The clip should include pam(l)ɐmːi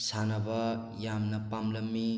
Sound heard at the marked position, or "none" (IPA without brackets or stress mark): l